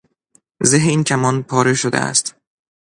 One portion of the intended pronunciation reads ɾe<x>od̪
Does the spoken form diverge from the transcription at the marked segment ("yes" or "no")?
yes